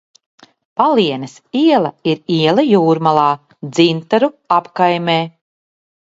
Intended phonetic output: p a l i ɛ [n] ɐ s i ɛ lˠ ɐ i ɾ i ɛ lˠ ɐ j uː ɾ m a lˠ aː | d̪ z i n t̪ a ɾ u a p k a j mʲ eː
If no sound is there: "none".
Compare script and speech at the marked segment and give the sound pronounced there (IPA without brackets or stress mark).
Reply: n